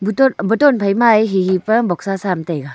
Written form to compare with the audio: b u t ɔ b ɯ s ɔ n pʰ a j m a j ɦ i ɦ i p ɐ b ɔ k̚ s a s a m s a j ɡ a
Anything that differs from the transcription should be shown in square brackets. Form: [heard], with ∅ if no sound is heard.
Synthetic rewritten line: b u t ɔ b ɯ [t] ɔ n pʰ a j m a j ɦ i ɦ i p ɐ b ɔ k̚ s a s a m [t] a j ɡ a

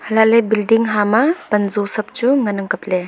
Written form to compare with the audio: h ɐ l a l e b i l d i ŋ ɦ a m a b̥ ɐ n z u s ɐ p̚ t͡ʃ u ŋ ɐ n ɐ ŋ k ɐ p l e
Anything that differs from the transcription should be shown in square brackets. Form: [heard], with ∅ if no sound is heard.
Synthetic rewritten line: h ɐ l a l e b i l d i ŋ ɦ a m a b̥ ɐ n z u s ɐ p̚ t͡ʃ u ŋ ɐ n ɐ ŋ k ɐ p l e

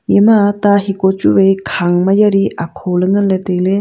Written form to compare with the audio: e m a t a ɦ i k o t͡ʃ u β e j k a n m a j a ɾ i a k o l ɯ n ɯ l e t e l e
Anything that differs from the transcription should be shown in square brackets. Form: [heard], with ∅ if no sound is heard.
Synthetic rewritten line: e m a t a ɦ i k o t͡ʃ u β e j [kʰ] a [ŋ] m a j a ɾ i a [kʰ] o l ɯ [ŋ] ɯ l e t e l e

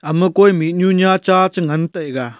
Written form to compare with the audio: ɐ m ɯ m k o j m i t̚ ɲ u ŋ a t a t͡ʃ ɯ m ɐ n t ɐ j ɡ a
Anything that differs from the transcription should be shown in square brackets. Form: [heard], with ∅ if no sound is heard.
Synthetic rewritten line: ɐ m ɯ [∅] k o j m i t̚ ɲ u [ɲ] a [t͡ʃ] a t͡ʃ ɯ [ŋ] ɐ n t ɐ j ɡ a

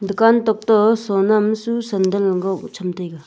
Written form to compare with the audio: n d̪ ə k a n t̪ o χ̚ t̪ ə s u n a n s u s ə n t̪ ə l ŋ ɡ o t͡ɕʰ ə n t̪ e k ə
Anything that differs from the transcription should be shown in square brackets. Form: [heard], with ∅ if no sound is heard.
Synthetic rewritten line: n d̪ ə k a n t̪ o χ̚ t̪ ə s [o] n a [m] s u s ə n [d̪] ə l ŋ ɡ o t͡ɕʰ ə [m] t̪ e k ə

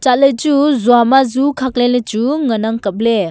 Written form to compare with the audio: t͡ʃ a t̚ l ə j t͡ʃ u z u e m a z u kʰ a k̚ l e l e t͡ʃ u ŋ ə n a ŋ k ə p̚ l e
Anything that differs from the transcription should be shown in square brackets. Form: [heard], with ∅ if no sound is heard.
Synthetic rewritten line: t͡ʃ a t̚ l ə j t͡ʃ u z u [a] m a z u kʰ a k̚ l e l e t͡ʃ u ŋ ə n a ŋ k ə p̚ l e

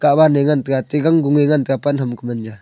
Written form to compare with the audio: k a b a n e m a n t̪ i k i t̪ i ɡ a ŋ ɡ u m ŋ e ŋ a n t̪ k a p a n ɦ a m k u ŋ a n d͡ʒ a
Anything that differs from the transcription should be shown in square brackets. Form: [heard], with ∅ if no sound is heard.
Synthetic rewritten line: k a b a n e [ŋ] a n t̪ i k [a] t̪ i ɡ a ŋ ɡ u [∅] ŋ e ŋ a n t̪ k a p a n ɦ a m k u [m] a n d͡ʒ a

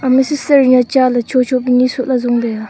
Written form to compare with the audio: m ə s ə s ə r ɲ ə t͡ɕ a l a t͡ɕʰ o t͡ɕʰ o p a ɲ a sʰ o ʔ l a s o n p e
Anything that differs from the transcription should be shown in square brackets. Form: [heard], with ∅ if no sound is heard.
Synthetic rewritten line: m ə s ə s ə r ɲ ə t͡ɕ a l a t͡ɕʰ o t͡ɕʰ o p [i] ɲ [i] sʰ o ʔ l a [z] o [ŋ] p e

